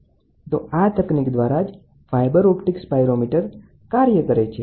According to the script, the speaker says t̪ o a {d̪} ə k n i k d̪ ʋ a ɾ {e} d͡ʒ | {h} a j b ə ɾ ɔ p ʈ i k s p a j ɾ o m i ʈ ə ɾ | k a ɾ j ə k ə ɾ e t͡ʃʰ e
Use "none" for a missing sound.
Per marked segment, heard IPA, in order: t̪, a, f

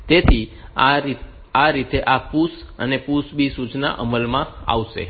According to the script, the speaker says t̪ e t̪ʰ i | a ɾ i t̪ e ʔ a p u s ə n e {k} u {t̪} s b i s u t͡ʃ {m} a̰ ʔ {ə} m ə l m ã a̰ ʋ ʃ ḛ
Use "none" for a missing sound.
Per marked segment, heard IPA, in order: p, none, n, ə

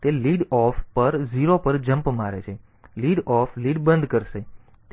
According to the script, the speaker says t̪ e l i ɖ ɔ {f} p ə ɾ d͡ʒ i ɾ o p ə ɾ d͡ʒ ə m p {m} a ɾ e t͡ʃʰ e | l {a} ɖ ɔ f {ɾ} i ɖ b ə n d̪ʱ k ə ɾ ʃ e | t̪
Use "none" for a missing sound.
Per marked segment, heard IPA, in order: f, m, i, l

